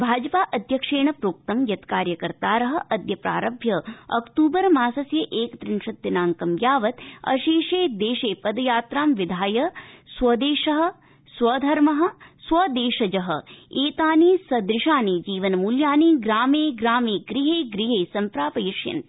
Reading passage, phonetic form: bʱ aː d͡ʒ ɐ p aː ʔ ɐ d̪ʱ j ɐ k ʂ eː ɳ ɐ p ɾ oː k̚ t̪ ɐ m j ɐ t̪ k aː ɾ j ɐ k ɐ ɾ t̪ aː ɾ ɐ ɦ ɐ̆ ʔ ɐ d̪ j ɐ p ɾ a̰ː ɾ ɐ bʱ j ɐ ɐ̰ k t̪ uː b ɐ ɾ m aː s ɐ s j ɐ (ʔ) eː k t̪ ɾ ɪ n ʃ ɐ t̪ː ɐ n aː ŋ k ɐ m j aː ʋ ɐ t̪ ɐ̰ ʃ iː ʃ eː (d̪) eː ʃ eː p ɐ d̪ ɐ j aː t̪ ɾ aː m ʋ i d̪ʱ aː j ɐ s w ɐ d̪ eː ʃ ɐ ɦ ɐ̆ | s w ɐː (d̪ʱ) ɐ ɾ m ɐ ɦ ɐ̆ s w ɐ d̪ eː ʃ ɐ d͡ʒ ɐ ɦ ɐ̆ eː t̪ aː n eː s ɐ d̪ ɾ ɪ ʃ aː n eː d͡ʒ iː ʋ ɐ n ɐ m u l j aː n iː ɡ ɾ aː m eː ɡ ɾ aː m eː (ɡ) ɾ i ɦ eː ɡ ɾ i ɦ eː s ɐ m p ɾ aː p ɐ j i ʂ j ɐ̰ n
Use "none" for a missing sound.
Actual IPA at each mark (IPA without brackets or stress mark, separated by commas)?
ʔ, d̪, d̪ʱ, ɡ